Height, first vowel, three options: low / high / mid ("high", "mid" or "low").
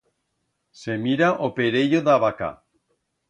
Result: mid